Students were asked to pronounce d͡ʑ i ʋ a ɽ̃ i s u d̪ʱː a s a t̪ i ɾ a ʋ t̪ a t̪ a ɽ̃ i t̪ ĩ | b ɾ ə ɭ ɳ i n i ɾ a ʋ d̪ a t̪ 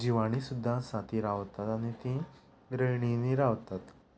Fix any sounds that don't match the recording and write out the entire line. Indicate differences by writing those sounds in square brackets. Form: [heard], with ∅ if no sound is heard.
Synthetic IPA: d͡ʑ i ʋ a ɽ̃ i s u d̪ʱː a s a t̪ i ɾ a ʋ t̪ a t̪ a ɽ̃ i t̪ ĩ | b ɾ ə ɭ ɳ i n i ɾ a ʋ [t̪] a t̪